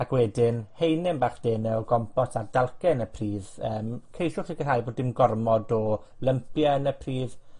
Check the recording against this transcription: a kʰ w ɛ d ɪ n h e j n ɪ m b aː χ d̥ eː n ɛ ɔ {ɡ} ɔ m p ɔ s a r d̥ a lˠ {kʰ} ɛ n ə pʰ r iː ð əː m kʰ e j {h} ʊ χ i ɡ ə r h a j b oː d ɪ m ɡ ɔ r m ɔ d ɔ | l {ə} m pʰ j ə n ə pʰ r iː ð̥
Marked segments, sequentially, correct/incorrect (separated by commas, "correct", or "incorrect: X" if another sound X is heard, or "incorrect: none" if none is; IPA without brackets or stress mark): correct, incorrect: k, incorrect: ʃ, correct